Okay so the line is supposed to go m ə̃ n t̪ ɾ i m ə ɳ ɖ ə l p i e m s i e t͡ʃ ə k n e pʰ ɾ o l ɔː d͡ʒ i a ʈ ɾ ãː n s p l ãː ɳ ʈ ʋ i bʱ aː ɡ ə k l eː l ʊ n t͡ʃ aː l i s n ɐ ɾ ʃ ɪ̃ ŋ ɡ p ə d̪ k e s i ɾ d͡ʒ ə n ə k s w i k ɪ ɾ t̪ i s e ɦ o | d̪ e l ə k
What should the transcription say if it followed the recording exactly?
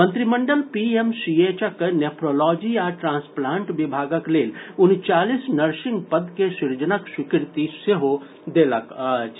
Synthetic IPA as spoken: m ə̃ n t̪ ɾ i m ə ɳ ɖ ə l p i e m s i e t͡ʃ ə k n e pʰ ɾ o l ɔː d͡ʒ i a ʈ ɾ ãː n s p l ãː ɳ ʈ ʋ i bʱ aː ɡ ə k l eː l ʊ n t͡ʃ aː l i s n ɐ ɾ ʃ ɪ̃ ŋ ɡ p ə d̪ k e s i ɾ d͡ʒ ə n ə k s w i k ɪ ɾ t̪ i s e ɦ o | d̪ e l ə k